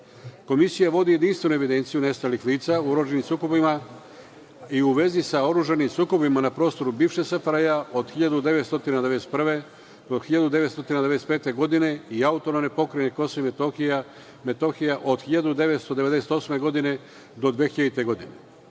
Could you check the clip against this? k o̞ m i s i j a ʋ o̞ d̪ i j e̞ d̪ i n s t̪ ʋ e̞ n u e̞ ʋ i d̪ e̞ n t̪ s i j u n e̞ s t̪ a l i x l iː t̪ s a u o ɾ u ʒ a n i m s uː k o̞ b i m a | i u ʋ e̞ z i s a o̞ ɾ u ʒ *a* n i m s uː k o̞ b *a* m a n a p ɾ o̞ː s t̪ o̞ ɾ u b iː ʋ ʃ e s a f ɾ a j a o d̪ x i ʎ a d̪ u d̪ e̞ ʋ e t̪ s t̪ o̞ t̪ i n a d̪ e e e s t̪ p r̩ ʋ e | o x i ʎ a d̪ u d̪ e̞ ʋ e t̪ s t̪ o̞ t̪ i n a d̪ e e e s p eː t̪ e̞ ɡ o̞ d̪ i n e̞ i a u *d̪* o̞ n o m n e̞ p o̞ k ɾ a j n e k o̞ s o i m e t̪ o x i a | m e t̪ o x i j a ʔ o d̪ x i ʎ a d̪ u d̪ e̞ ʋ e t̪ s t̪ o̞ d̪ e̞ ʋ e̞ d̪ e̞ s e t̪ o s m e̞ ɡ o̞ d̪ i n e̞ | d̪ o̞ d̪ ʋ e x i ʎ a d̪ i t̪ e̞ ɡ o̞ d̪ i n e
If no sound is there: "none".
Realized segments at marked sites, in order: a, i, t̪

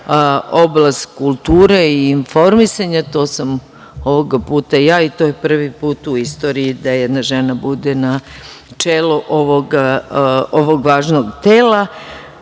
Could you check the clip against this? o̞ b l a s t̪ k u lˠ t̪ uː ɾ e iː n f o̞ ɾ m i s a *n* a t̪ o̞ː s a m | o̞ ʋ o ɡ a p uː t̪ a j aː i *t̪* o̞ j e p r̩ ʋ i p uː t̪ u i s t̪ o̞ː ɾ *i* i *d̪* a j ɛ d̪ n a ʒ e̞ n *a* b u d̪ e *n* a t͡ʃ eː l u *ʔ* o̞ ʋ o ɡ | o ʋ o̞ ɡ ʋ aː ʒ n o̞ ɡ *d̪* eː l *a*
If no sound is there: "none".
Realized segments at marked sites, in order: ɲ, t̪, i, d̪, a, n, ʔ, t̪, a

